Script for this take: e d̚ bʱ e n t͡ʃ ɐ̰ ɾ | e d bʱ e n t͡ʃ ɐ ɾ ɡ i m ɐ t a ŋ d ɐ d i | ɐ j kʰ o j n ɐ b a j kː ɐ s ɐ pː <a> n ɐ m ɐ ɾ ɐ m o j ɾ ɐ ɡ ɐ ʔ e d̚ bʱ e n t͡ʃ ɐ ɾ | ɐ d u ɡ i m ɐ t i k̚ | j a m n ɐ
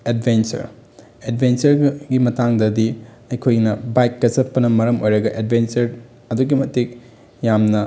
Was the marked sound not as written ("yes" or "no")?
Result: yes